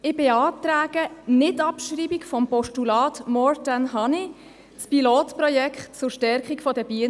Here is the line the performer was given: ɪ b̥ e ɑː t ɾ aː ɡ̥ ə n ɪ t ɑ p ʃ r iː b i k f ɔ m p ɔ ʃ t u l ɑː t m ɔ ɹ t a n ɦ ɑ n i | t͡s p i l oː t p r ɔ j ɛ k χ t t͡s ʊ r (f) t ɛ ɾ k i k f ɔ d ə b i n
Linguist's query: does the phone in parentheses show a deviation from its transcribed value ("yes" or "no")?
yes